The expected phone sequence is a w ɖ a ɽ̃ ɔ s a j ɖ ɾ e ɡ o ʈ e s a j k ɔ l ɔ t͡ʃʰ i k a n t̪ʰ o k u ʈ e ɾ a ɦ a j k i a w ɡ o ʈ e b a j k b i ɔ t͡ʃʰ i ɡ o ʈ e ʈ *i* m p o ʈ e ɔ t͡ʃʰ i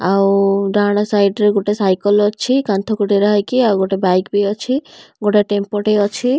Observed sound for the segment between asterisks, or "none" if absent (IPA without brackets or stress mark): e